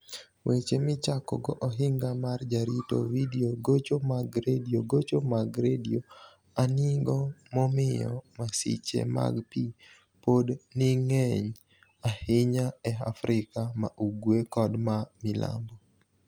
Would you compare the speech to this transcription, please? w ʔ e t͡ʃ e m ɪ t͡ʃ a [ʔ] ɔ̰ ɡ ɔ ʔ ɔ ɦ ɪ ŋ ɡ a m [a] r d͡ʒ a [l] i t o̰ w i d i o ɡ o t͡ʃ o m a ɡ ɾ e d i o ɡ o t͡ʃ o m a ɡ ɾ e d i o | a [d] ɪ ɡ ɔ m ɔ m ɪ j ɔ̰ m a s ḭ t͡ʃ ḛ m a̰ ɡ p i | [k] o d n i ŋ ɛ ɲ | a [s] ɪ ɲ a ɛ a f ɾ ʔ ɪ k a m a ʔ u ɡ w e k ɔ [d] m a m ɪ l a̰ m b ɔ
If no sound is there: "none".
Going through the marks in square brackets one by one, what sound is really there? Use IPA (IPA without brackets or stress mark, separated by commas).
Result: k, a, ɾ, n, p, h, d